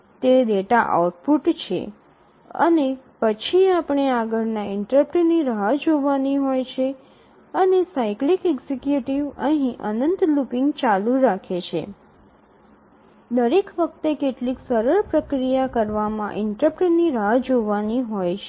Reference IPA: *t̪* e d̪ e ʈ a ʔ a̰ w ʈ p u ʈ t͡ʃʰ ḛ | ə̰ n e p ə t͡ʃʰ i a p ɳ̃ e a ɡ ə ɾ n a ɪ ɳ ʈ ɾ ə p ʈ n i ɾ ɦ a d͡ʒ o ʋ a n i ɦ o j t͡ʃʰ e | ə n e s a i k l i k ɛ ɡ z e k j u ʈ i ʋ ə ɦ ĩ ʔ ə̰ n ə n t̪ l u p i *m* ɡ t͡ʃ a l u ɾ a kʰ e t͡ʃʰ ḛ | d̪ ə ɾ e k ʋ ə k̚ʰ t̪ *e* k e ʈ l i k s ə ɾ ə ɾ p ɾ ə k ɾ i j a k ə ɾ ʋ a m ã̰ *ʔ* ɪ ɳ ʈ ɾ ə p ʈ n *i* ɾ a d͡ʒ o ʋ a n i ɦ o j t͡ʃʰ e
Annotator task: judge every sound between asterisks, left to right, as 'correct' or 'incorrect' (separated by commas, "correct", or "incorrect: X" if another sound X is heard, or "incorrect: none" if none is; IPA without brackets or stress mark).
correct, incorrect: ŋ, correct, correct, correct